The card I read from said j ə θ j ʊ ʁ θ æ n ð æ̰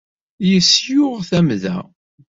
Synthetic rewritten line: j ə s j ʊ ʁ θ æ m ð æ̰